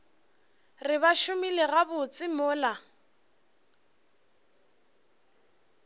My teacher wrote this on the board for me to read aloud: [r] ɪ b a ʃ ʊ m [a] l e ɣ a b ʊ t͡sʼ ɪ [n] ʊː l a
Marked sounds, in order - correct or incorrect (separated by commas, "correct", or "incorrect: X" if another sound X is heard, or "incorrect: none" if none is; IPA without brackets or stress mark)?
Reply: correct, incorrect: i, incorrect: m